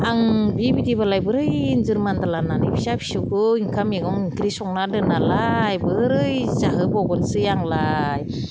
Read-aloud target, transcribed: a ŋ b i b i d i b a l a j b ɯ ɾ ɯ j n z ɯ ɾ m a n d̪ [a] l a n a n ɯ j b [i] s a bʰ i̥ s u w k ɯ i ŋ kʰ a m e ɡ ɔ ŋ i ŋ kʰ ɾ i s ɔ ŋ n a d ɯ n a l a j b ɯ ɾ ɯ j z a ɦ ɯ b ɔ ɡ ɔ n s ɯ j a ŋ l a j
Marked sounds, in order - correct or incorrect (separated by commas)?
correct, correct